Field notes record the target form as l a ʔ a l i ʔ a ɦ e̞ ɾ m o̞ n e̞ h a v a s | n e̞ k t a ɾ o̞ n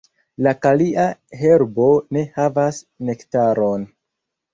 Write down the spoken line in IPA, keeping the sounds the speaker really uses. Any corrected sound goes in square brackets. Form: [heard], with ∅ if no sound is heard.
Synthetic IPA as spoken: l a [k] a l i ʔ a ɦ e̞ ɾ [b] o̞ n e̞ h a v a s | n e̞ k t a ɾ o̞ n